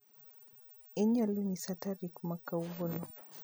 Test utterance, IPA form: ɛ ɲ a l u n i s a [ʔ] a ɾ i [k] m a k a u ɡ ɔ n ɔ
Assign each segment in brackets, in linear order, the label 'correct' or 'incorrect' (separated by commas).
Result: incorrect, correct